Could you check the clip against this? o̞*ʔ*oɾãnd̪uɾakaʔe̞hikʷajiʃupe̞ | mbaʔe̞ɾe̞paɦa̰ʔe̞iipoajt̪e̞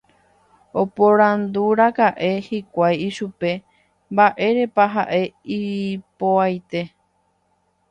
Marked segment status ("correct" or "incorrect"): incorrect